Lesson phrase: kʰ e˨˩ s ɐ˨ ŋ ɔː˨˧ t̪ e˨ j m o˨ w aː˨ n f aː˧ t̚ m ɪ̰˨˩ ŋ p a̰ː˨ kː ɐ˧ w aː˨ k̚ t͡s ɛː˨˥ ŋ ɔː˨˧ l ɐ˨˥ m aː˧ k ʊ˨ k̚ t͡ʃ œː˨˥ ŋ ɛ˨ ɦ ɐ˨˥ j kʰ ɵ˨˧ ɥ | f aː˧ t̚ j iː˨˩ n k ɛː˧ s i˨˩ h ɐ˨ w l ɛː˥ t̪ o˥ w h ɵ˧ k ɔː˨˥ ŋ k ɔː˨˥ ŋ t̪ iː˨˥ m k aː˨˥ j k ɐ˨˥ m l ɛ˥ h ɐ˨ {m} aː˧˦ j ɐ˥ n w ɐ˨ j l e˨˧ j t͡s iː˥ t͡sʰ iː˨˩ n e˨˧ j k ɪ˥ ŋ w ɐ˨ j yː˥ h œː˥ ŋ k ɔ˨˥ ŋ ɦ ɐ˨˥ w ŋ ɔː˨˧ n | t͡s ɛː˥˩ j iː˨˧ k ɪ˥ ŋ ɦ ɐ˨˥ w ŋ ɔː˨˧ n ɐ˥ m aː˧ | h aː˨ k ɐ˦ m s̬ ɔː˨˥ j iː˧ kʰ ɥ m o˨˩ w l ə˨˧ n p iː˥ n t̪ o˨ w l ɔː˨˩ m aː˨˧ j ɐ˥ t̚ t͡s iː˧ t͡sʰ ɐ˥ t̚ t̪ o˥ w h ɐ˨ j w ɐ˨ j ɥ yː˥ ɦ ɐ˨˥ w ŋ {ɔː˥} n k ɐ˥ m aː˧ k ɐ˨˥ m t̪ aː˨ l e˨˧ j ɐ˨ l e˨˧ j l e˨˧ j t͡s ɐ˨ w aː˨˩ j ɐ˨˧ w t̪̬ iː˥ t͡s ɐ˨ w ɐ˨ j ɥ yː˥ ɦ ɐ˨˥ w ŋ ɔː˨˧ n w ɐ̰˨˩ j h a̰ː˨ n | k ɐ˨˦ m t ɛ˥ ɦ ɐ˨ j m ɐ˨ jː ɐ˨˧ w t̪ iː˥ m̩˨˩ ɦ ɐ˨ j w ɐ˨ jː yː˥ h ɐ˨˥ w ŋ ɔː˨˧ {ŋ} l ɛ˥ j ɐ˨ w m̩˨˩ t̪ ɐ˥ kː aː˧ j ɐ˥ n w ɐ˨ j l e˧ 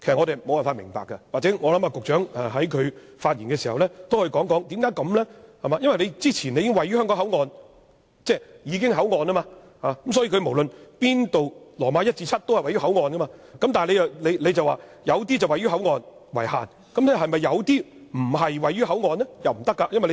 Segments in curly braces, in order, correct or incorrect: correct, incorrect: ɔː˨˧, incorrect: n

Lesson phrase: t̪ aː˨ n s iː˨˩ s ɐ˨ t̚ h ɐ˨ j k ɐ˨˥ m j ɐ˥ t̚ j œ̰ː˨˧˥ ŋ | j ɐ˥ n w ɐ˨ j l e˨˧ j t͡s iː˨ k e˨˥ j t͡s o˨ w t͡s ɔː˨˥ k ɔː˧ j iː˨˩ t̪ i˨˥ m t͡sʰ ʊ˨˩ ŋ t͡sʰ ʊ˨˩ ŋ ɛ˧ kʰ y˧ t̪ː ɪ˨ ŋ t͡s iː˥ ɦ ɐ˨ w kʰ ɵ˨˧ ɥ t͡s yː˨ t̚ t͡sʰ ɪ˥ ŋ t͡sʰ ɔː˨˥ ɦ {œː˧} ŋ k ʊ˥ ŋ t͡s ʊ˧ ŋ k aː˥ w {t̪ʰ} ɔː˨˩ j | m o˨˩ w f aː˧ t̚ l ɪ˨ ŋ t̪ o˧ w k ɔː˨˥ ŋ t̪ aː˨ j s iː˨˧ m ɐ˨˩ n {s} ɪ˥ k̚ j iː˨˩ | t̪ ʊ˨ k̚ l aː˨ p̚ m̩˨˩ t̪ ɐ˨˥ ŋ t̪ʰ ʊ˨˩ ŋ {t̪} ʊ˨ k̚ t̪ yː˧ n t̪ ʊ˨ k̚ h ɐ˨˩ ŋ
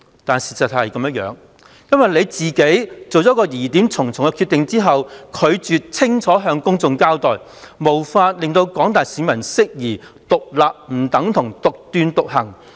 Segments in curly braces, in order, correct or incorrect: correct, incorrect: t̪, correct, correct

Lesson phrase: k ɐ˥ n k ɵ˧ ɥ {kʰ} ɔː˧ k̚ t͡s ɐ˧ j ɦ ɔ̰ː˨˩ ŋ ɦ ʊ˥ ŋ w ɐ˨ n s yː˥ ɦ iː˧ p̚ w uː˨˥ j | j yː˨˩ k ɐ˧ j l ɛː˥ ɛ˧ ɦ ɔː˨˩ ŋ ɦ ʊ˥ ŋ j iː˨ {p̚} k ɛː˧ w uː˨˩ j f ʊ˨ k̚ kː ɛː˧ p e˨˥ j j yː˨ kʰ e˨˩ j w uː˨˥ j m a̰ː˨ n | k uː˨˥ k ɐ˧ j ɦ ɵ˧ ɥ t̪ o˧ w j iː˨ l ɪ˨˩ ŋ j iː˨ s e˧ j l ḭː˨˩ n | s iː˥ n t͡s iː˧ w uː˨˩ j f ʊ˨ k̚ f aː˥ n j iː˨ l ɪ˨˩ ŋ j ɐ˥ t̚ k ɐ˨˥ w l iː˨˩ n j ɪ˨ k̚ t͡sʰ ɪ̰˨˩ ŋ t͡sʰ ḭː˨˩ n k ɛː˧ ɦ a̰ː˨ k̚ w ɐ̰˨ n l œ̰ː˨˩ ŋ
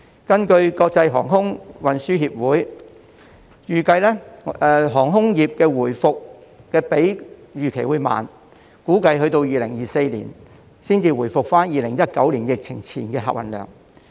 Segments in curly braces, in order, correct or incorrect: incorrect: k, correct

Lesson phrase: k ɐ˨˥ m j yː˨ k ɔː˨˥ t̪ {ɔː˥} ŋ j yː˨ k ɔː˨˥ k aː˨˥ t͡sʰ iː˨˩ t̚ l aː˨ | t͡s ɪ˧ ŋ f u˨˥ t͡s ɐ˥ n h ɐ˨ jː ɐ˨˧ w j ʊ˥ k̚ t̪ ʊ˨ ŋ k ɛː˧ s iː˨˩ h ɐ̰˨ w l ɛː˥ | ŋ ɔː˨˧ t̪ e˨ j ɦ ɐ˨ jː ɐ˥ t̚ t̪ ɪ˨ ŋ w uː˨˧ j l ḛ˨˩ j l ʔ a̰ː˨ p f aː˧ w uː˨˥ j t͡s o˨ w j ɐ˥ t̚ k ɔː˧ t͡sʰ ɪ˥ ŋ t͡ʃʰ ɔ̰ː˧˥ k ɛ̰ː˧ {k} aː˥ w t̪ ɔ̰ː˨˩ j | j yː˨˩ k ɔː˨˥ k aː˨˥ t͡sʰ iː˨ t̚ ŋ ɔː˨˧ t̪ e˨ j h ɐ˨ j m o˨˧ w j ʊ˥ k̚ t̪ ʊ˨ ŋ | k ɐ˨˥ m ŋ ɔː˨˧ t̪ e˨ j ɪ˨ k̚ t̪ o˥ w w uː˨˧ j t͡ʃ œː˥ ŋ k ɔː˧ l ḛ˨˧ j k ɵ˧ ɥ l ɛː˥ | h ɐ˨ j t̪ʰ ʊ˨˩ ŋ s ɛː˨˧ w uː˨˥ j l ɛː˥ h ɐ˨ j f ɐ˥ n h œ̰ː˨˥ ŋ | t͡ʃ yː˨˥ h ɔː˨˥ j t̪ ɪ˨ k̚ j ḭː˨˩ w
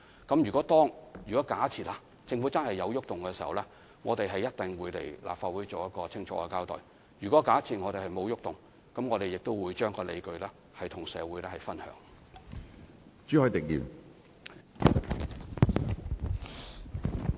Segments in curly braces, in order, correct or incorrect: correct, correct

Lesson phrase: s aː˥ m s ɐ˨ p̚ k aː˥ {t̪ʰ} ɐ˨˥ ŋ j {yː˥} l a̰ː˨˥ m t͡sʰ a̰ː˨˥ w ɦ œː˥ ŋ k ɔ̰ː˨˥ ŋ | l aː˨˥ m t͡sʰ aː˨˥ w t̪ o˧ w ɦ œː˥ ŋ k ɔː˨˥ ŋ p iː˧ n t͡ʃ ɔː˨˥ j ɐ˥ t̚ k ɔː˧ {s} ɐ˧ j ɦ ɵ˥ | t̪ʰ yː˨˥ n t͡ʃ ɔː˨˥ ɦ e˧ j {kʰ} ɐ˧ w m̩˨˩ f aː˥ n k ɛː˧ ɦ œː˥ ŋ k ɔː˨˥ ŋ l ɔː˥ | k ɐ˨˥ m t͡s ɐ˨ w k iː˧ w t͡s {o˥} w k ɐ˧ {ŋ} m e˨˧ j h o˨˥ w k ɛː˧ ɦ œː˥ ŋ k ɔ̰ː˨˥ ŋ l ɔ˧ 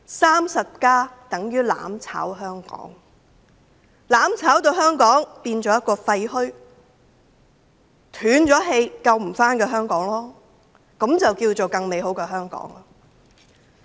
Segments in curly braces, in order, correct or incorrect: incorrect: t̪, correct, incorrect: f, incorrect: k, incorrect: o˨, correct

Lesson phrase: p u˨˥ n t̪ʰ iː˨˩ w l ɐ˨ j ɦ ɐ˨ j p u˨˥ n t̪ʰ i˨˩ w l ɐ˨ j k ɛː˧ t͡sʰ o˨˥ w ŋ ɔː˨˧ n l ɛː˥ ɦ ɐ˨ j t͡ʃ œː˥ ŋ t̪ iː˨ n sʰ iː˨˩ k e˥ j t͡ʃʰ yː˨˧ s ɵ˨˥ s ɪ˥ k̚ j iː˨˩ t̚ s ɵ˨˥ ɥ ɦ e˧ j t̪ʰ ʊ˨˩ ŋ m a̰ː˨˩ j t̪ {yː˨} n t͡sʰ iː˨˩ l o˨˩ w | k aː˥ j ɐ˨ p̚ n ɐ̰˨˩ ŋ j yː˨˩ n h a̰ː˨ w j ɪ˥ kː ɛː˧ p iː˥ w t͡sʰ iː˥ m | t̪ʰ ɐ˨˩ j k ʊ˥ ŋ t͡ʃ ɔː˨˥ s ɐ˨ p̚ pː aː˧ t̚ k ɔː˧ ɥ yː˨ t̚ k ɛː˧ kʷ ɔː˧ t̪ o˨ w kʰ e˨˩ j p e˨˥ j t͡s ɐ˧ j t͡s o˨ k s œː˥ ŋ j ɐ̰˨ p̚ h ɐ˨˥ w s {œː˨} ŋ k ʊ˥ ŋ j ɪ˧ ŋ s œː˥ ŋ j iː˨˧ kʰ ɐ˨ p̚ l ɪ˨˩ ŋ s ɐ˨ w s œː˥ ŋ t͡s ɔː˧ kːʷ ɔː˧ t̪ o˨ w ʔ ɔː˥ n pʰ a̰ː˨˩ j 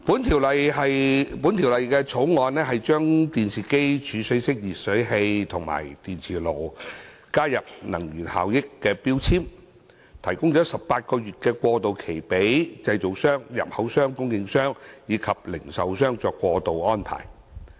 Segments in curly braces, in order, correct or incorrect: incorrect: iː˨, incorrect: œː˥

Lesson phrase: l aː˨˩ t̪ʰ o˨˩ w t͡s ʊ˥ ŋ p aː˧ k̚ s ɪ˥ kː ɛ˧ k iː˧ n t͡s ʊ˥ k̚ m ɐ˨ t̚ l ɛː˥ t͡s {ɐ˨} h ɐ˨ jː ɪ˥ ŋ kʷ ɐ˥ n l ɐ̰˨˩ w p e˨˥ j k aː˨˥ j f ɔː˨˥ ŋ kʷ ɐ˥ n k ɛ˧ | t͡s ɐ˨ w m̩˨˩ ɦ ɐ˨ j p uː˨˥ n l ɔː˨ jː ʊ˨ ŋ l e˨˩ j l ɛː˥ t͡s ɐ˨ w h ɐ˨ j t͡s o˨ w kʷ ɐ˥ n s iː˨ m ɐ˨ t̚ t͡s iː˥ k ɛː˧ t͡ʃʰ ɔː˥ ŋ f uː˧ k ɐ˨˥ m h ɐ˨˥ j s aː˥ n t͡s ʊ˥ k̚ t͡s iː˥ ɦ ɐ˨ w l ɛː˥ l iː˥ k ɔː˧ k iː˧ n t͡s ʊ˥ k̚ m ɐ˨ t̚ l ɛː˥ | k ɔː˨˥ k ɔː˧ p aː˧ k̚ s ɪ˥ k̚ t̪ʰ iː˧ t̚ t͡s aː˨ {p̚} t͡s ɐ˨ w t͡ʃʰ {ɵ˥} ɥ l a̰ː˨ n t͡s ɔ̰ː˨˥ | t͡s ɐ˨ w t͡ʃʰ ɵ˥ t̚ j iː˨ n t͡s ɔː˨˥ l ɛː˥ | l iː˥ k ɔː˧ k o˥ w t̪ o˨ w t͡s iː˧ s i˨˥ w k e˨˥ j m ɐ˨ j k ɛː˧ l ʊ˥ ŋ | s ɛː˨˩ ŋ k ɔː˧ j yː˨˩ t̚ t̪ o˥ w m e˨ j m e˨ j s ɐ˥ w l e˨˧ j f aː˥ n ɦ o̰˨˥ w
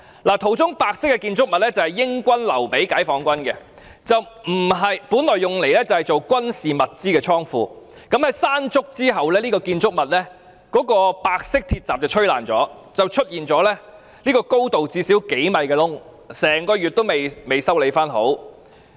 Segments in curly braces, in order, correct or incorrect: correct, correct, correct

